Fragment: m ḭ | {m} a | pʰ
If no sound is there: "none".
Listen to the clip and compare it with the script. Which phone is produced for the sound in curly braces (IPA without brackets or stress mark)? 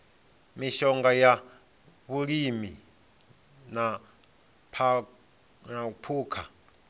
n